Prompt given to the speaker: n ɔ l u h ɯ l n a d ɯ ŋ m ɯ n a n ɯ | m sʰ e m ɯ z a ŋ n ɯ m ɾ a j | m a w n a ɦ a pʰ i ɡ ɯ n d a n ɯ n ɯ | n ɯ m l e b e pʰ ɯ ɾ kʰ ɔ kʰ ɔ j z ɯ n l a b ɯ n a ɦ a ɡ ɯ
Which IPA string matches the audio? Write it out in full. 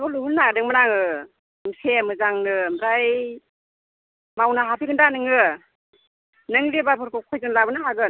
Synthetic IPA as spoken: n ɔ l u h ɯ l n a d ɯ ŋ m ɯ n a ŋ ɯ | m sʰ e m ɯ z a ŋ n ɯ m ɾ a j | m a w n a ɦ a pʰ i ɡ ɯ n d a n ɯ ŋ ɯ | n ɯ ŋ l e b a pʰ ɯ ɾ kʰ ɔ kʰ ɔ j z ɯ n l a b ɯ n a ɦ a ɡ ɯ